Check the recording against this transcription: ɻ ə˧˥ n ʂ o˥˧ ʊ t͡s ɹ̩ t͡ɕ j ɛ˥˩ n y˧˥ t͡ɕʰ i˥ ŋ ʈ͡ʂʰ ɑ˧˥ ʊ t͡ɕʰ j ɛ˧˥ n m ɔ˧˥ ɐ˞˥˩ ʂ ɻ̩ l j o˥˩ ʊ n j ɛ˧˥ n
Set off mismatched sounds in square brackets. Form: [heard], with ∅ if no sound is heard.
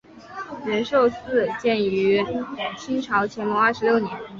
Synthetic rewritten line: ɻ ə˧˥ n ʂ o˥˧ ʊ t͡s ɹ̩ t͡ɕ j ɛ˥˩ n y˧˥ t͡ɕʰ i˥ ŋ ʈ͡ʂʰ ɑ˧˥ ʊ t͡ɕʰ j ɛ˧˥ n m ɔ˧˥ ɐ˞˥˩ ʂ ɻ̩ l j o˥˩ ʊ n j ɛ˧˥ n